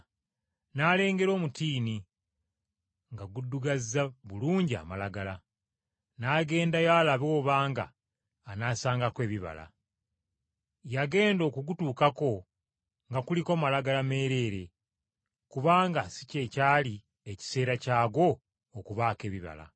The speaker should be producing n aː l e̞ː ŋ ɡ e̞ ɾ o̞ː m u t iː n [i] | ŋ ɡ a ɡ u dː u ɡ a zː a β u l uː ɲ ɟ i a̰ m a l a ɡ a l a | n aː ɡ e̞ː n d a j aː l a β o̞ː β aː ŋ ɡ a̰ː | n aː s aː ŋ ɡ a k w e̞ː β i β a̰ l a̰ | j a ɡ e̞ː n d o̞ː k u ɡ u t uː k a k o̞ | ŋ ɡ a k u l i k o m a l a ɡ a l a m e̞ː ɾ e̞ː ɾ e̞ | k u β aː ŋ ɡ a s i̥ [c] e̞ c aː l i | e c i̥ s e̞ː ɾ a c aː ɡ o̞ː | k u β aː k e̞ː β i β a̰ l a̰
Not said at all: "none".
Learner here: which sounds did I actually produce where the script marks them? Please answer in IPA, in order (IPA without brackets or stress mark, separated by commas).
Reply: i, c